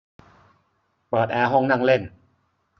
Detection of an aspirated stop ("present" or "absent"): absent